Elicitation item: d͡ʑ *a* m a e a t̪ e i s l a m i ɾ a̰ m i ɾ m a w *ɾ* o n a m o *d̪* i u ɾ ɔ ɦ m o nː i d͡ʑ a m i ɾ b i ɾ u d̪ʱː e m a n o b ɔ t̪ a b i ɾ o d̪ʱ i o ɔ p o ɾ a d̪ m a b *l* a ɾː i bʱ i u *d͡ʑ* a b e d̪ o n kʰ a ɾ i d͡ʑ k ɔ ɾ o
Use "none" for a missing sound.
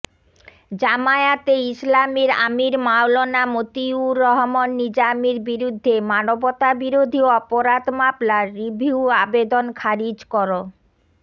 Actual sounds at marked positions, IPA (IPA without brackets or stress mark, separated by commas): a, l, t̪, l, none